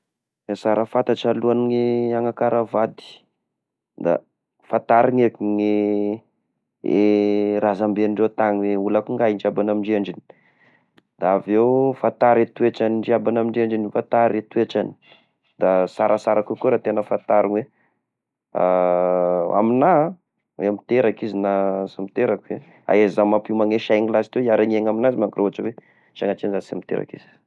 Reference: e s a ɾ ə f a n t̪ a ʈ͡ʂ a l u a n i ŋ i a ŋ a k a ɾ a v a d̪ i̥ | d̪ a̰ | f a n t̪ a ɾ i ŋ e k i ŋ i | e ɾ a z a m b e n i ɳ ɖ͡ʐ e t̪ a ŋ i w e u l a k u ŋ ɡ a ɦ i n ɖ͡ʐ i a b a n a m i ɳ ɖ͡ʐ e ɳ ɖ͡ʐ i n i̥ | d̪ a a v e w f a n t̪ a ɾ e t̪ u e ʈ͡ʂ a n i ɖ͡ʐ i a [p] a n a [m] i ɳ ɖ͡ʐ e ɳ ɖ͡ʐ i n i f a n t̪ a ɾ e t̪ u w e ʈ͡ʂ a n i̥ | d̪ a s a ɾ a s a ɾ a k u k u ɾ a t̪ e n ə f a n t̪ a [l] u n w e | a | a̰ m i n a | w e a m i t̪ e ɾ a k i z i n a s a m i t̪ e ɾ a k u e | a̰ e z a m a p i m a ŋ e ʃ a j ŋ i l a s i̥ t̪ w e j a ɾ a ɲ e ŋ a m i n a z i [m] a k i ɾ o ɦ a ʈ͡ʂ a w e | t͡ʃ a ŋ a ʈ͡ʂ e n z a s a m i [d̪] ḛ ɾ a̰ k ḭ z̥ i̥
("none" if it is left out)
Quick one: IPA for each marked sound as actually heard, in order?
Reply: b, m, ɾ, m, t̪

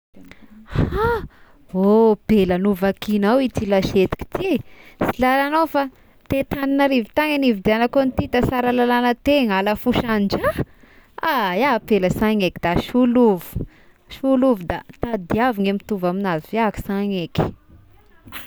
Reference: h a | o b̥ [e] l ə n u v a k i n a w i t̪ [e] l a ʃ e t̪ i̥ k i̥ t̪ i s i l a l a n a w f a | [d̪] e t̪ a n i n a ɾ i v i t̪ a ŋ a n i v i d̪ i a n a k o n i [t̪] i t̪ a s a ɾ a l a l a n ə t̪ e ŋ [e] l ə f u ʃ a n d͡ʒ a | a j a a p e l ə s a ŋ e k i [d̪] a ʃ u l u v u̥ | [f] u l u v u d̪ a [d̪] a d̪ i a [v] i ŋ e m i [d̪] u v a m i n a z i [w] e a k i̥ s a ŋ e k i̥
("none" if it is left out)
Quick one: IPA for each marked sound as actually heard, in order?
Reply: e, i, t̪, t̪, a, d̪, ʃ, t̪, v, t̪, v

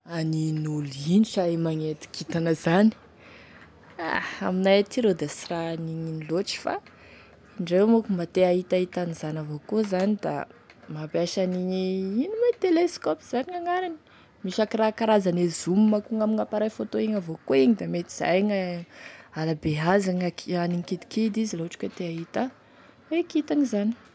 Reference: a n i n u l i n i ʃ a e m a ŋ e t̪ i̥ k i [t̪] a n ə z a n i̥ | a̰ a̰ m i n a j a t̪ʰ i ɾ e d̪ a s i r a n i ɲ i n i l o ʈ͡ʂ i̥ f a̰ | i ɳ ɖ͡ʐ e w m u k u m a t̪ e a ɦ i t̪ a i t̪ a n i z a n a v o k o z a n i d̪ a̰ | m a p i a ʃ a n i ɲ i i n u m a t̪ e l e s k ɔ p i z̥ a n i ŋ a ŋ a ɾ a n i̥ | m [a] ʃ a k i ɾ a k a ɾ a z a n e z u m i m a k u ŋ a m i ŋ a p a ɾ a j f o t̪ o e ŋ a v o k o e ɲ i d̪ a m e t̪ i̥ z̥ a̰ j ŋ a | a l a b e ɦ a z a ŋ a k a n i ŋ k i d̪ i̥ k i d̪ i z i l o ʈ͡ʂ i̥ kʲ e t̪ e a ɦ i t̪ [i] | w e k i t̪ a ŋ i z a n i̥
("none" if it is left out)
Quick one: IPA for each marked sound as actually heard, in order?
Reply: t̪, i, a

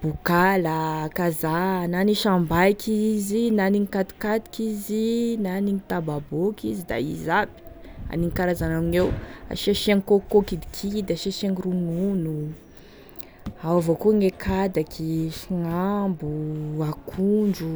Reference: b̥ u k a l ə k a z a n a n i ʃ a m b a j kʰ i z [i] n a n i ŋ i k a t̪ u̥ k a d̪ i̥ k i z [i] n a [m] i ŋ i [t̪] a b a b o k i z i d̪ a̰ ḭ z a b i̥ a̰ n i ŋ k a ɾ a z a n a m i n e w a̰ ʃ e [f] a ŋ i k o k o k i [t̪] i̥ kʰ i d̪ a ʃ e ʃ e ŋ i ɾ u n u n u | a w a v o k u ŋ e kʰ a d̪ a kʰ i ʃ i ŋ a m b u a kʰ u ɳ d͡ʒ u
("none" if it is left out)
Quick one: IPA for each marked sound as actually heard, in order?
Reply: i, i, n, t̪, ʃ, d̪

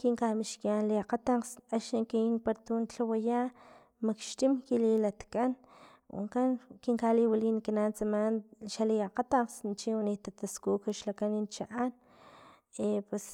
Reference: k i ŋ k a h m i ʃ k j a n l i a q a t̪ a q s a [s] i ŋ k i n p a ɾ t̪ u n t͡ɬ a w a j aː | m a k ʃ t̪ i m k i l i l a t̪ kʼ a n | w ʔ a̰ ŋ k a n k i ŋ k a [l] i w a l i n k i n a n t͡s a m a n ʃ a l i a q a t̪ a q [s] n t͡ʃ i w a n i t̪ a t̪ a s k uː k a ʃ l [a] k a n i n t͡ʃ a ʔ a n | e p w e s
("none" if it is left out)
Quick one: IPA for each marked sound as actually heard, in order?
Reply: ʃ, l, s, a

